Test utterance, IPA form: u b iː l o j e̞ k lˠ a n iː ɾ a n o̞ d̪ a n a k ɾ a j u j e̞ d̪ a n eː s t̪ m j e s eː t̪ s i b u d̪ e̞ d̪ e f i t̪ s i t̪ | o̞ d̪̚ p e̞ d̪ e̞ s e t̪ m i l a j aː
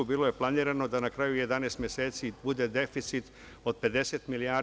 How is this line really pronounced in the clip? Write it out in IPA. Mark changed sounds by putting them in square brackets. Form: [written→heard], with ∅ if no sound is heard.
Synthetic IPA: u b iː l o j e̞ [k→p] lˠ a n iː ɾ a n o̞ d̪ a n a k ɾ a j u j e̞ d̪ a n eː s t̪ m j e s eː t̪ s i b u d̪ e̞ d̪ e f i t̪ s i t̪ | o̞ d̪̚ p e̞ d̪ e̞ s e t̪ m i l [a→i] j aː